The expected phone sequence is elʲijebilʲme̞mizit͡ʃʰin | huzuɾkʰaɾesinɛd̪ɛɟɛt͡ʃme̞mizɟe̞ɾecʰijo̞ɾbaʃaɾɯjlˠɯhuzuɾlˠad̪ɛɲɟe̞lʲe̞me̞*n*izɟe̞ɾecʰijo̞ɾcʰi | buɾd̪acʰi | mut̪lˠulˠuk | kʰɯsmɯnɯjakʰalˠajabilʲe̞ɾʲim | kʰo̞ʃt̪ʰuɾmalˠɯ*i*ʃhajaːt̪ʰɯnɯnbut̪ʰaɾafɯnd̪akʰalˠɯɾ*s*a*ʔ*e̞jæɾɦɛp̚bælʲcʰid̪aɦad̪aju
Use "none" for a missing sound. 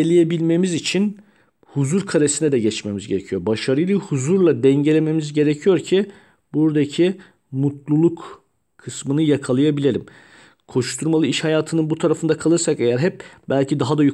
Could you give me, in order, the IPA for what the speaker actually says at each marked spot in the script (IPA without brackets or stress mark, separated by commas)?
m, i, s, k